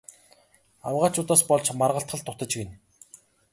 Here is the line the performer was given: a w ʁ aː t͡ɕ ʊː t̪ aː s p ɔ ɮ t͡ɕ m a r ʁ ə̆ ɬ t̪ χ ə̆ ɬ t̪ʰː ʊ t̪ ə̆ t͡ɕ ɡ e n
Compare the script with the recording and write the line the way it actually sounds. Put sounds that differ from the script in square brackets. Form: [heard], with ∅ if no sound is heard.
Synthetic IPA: a w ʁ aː t͡ɕ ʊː t̪ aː s p ɔ ɮ t͡ɕ m a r ʁ ə̆ ɬ t̪ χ ə̆ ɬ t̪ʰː ʊ t̪ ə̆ t͡ɕ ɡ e n